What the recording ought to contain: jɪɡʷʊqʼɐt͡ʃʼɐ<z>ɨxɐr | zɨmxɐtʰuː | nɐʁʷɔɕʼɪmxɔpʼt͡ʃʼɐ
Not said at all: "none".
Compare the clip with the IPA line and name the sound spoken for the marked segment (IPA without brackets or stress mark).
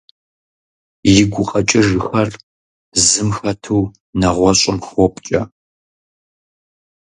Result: ʒ